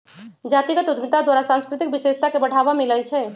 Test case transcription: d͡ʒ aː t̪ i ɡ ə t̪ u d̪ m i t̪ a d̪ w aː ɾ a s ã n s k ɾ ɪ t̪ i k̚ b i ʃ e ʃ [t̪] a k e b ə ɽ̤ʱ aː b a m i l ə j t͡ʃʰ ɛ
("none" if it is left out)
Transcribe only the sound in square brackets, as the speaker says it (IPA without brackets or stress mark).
t̪